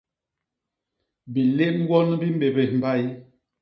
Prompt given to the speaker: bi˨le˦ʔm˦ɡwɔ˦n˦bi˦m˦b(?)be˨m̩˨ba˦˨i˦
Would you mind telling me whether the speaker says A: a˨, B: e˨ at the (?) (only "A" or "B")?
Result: B